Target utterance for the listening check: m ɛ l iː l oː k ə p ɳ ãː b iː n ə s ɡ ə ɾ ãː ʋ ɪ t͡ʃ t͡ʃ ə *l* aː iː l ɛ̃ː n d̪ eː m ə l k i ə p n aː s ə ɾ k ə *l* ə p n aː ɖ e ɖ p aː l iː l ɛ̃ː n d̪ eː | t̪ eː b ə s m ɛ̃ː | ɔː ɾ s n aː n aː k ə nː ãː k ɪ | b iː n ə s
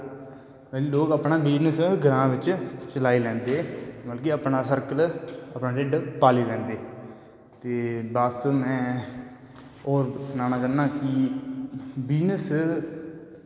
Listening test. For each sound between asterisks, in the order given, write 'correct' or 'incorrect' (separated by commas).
correct, correct